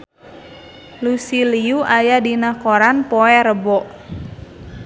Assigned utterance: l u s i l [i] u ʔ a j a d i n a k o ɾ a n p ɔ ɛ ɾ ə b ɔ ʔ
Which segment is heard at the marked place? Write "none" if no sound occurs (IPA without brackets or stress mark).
i